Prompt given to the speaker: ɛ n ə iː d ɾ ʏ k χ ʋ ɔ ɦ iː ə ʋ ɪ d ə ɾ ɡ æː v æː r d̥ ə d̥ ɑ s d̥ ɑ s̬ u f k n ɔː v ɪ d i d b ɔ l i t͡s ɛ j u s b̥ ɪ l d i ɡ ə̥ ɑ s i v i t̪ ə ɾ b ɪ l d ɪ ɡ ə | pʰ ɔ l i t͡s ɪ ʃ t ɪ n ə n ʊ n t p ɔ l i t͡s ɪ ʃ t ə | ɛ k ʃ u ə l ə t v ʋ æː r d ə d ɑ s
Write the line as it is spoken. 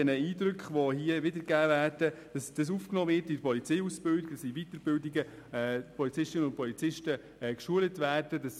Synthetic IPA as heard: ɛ n ə iː d ɾ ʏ k χ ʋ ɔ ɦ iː ə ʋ ɪ d ə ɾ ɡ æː v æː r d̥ ə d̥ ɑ s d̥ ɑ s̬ u f k n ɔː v ɪ t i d p ɔ l i t͡s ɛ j u s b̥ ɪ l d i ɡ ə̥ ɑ s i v i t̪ ə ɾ b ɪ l d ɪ ɡ ə | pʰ ɔ l i t͡s ɪ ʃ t ɪ n ə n ʊ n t p ɔ l i t͡s ɪ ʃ t ə | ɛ k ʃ u ə l ə t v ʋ æː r d ə d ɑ s